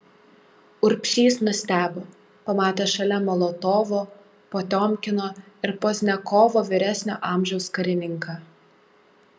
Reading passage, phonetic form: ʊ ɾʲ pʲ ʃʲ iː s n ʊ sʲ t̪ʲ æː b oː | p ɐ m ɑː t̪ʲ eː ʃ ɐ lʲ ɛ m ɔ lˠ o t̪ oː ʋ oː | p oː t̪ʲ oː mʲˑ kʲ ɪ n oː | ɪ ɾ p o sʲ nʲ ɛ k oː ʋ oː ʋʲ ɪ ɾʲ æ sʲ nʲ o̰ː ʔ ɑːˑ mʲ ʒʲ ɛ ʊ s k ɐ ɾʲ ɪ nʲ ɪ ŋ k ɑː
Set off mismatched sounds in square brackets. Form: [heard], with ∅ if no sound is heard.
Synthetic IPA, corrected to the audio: ʊ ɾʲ pʲ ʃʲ iː s n ʊ sʲ t̪ʲ æː b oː | p ɐ m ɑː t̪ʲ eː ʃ ɐ lʲ ɛ m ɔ lˠ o t̪ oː ʋ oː | p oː t̪ʲ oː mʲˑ kʲ ɪ n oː | ɪ ɾ p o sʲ nʲ ɛ k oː ʋ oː ʋʲ ɪ ɾʲ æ sʲ nʲ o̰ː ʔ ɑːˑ mʲ ʒʲ ɛ ʊ s k ɐ ɾʲ ɪ nʲ ɪ ŋ k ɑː